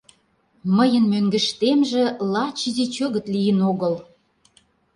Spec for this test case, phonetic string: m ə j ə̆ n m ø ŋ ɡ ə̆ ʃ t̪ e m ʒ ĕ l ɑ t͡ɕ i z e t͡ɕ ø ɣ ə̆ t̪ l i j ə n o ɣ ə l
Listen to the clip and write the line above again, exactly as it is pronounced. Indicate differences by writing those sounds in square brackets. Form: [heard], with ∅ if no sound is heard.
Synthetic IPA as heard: m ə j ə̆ n m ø ŋ ɡ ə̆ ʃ t̪ e m ʒ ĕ l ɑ t͡ɕ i z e t͡ɕ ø ɣ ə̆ t̪ l i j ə n o ɣ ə l